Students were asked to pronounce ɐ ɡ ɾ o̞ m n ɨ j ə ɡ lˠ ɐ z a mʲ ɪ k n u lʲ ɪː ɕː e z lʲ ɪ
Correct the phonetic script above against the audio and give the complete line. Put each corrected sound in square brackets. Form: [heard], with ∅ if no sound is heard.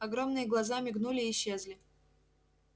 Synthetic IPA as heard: ɐ ɡ ɾ o̞ m n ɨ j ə ɡ lˠ ɐ z a mʲ ɪ [ɡ] n u lʲ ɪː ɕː e z lʲ ɪ